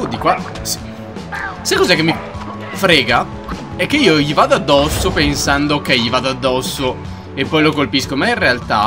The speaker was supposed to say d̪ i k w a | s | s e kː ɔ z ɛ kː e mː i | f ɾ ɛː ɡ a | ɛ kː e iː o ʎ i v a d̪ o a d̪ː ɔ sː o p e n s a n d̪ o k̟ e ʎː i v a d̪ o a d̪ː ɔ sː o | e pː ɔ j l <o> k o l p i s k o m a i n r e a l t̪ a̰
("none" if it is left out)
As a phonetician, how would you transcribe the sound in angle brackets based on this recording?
o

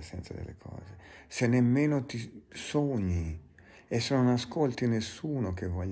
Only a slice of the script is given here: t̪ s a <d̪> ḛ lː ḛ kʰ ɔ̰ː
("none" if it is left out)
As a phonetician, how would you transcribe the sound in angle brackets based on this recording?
d̪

